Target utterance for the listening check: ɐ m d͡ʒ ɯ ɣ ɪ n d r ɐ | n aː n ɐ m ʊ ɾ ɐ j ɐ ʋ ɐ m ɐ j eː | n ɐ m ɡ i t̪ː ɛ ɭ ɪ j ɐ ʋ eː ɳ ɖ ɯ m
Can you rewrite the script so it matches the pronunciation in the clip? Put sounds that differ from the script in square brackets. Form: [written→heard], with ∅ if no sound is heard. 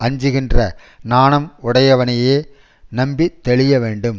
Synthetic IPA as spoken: ɐ [m→ɲ] d͡ʒ ɯ ɣ ɪ n d r ɐ | n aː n ɐ m ʊ [ɾ→ɽ] ɐ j ɐ ʋ ɐ [m→n] ɐ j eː | n ɐ m [ɡ→b] i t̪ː ɛ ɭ ɪ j ɐ ʋ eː ɳ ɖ ɯ m

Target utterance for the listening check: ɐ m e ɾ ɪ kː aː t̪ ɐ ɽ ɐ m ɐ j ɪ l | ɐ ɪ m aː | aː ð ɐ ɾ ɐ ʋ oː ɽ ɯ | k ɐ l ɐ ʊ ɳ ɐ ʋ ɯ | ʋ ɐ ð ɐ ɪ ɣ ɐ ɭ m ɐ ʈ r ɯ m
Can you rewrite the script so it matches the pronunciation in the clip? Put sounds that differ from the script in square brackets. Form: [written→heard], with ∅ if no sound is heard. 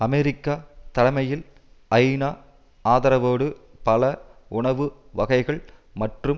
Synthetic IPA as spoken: ɐ m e ɾ ɪ kː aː t̪ ɐ ɽ ɐ m ɐ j ɪ l | ɐ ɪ [m→n] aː | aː ð ɐ ɾ ɐ ʋ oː ɽ ɯ | [k→p] ɐ l ɐ ʊ ɳ ɐ ʋ ɯ | ʋ ɐ [ð→ɣ] ɐ ɪ ɣ ɐ ɭ m ɐ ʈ r ɯ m

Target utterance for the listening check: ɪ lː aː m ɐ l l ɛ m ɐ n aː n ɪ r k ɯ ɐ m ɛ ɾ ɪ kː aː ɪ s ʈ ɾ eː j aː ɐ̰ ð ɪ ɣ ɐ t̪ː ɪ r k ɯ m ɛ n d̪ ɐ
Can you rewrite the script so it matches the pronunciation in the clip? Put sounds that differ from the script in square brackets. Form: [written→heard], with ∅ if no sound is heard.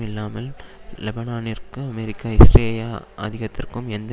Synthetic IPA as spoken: ɪ lː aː m ɐ l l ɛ [m→b] ɐ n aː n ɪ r k ɯ ɐ m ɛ ɾ ɪ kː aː ɪ s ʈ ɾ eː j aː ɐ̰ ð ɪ ɣ ɐ t̪ː ɪ r k ɯ m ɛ n d̪ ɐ

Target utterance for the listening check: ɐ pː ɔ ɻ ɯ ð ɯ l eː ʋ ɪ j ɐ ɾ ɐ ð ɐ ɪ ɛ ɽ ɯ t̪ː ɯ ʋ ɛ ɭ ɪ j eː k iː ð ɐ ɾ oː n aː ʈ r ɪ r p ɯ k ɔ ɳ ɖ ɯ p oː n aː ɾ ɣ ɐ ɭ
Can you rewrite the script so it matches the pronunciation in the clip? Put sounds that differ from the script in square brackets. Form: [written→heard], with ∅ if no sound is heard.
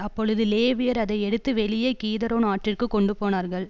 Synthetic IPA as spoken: ɐ pː ɔ ɻ ɯ ð ɯ l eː ʋ ɪ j ɐ ɾ ɐ ð ɐ ɪ ɛ ɽ ɯ t̪ː ɯ ʋ ɛ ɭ ɪ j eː k iː ð ɐ ɾ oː n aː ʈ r ɪ r [p→k] ɯ k ɔ ɳ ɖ ɯ p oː n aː ɾ ɣ ɐ ɭ

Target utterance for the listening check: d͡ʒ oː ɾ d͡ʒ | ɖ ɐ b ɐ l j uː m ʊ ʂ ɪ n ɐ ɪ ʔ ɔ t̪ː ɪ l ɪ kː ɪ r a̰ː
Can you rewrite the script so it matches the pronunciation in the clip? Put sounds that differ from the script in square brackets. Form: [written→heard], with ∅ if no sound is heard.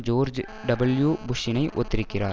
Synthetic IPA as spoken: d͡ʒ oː ɾ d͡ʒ | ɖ ɐ b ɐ l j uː [m→b] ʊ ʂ ɪ n ɐ ɪ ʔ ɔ t̪ː ɪ [l→ɾ] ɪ kː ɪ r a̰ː

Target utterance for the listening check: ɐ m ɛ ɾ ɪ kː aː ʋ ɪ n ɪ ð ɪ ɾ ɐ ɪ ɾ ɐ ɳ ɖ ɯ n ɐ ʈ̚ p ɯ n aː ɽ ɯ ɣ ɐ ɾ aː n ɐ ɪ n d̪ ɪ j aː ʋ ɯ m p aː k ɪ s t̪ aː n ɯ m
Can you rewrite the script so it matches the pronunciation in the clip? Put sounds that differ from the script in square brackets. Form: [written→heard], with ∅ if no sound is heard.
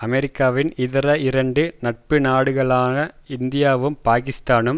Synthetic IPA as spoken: ɐ m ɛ ɾ ɪ kː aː ʋ ɪ n ɪ ð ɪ ɾ ɐ ɪ ɾ ɐ ɳ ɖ ɯ n ɐ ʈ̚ p ɯ n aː ɽ ɯ ɣ ɐ [ɾ→ɭ] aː n ɐ ɪ n d̪ ɪ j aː ʋ ɯ m p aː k ɪ s t̪ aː n ɯ m

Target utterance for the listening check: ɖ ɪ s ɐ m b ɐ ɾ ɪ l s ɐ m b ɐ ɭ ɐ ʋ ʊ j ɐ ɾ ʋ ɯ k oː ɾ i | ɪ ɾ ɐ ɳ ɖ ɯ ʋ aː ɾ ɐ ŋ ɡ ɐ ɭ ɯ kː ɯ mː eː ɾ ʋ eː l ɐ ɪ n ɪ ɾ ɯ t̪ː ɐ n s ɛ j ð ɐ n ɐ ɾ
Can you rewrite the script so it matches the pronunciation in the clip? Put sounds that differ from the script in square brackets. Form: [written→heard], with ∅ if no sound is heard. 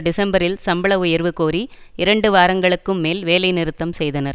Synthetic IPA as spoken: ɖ ɪ s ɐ m b ɐ ɾ ɪ l s ɐ m b ɐ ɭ ɐ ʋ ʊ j ɐ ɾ ʋ ɯ k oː ɾ i | ɪ ɾ ɐ ɳ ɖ ɯ ʋ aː ɾ ɐ ŋ ɡ ɐ ɭ ɯ kː ɯ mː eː [ɾ→l] ʋ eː l ɐ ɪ n ɪ ɾ ɯ t̪ː ɐ [n→m] s ɛ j ð ɐ n ɐ ɾ

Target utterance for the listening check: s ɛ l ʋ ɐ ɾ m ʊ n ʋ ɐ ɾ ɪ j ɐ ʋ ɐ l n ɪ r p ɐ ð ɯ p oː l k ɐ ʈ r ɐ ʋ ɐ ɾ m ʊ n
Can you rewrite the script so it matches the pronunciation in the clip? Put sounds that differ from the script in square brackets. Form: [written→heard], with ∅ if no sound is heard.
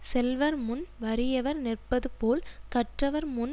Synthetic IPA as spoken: s ɛ l ʋ ɐ ɾ m ʊ n ʋ ɐ ɾ ɪ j ɐ ʋ ɐ [l→ɾ] n ɪ r p ɐ ð ɯ p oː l k ɐ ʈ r ɐ ʋ ɐ ɾ m ʊ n

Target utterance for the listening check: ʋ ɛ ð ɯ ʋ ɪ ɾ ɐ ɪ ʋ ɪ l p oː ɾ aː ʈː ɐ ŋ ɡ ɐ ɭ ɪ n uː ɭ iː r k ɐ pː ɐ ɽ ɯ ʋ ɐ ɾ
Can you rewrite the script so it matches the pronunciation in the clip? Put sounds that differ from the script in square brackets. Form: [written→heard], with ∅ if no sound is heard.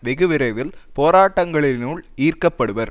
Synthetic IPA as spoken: ʋ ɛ [ð→ɣ] ɯ ʋ ɪ ɾ ɐ ɪ ʋ ɪ l p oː ɾ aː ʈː ɐ ŋ ɡ ɐ ɭ ɪ n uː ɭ iː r k ɐ pː ɐ ɽ ɯ ʋ ɐ ɾ

